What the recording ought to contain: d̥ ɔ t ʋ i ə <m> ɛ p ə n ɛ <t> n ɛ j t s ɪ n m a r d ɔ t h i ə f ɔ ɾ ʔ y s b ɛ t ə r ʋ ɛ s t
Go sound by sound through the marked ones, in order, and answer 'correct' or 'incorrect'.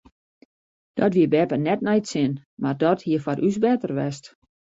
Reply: incorrect, correct

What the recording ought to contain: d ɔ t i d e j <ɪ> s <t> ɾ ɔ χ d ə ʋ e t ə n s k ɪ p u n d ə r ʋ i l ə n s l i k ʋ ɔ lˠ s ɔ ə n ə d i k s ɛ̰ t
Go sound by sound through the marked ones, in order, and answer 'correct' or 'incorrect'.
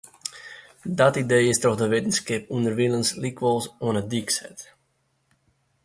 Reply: correct, correct

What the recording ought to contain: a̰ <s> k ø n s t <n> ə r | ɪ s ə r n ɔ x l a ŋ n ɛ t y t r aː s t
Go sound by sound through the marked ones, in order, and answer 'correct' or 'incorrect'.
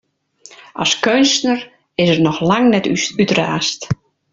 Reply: correct, correct

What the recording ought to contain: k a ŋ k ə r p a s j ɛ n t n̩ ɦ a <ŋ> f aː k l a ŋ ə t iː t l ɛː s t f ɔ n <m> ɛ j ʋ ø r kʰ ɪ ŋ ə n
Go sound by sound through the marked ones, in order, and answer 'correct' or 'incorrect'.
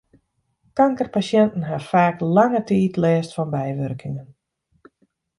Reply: incorrect, incorrect

